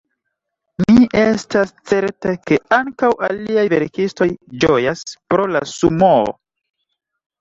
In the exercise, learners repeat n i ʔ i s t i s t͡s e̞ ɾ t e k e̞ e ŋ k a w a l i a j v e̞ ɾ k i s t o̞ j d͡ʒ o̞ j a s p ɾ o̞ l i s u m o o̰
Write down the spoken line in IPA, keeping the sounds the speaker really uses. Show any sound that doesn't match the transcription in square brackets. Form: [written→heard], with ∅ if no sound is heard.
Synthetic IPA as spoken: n i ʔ [i→e] s t [i→a] s t͡s e̞ ɾ t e k e̞ [e→a] ŋ k a w a l i a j v e̞ ɾ k i s t o̞ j d͡ʒ o̞ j a s p ɾ o̞ l [i→a] s u m o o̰